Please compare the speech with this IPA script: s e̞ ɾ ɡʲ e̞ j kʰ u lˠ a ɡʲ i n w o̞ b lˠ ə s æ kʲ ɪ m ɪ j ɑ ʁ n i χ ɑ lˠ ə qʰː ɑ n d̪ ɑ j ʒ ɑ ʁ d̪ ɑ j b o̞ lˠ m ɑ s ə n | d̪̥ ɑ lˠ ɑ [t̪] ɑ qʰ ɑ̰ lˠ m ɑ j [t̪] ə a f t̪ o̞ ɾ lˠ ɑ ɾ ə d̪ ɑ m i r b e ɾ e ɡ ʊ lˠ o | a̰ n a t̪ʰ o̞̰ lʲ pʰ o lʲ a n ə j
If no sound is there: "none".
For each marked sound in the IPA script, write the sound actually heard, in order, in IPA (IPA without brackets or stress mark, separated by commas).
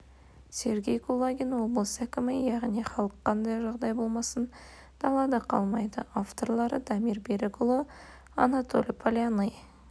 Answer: d̪, d̪